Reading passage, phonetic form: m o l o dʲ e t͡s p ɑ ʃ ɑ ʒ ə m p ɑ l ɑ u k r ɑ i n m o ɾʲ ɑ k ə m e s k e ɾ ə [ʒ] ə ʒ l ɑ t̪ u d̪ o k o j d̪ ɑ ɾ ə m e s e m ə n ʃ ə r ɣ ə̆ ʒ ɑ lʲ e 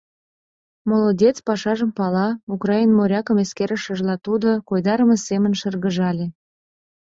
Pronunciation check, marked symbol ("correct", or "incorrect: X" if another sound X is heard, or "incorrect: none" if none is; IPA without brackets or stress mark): incorrect: ʃ